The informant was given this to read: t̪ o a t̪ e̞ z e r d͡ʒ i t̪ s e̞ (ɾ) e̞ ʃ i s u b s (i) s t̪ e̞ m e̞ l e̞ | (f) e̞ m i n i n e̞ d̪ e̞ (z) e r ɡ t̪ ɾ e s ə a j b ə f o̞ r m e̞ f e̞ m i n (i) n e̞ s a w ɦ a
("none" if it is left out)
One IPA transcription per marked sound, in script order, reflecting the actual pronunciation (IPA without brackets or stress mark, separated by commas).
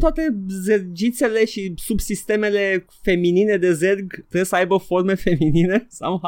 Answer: l, i, f, z, i